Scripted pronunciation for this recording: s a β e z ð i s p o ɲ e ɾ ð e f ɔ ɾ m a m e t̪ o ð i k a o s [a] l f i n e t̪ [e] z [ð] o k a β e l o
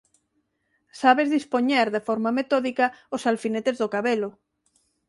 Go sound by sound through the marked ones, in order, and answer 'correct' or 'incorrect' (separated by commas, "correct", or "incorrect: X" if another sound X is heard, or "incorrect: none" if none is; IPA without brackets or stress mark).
correct, correct, correct